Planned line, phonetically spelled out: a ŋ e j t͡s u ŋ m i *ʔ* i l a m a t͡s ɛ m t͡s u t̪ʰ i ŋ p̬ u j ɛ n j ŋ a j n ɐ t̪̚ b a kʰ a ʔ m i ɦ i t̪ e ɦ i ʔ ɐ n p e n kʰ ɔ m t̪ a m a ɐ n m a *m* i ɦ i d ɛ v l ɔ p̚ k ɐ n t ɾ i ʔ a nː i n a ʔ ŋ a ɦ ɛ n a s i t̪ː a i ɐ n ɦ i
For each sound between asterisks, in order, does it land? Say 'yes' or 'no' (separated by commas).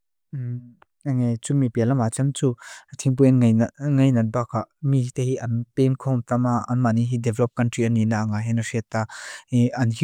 no, no